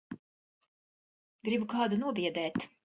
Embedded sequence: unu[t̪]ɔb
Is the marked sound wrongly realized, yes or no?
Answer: yes